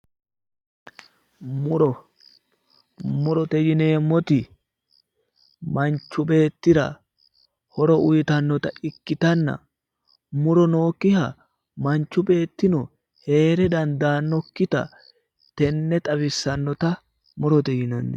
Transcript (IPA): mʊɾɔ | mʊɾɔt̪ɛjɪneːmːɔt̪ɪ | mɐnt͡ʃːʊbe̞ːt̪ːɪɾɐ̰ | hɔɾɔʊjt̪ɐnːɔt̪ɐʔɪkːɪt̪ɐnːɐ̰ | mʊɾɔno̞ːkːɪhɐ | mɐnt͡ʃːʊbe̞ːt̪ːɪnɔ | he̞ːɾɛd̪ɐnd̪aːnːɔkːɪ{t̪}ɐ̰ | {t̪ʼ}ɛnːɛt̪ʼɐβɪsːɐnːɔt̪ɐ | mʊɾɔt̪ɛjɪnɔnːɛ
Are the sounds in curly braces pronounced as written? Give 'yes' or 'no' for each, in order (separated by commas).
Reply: yes, no